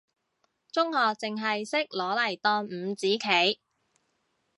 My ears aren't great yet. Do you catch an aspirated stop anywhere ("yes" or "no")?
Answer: yes